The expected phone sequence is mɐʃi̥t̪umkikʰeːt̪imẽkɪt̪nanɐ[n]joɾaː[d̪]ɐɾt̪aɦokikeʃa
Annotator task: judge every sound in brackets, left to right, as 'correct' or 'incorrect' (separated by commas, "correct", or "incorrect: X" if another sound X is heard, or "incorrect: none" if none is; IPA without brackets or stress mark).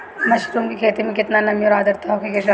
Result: incorrect: m, correct